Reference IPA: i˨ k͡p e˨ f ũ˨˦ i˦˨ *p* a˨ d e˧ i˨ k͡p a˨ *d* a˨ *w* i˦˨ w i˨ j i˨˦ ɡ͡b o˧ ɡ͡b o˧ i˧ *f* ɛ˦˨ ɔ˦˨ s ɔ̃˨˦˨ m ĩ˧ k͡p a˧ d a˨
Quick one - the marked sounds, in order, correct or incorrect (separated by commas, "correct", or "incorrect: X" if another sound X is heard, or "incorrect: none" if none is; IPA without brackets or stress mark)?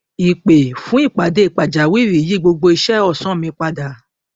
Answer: incorrect: k͡p, incorrect: d͡ʒ, correct, incorrect: ʃ